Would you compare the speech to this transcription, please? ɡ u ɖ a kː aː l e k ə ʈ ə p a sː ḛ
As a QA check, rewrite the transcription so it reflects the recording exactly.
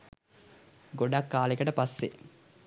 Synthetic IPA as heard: ɡ o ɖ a kː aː l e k ə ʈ ə p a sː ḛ